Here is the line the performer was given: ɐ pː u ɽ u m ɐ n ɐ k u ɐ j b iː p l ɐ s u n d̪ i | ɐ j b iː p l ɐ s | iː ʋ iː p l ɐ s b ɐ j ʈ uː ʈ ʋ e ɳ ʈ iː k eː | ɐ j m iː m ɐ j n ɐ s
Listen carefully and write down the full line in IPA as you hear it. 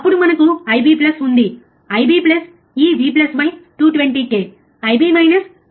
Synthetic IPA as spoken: ɐ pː u ɽ u m ɐ n ɐ k u ɐ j b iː p l ɐ s u n d̪ i | ɐ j b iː p l ɐ s | iː ʋ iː p l ɐ s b ɐ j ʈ uː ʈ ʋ e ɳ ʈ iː k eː | ɐ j b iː m ɐ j n ɐ s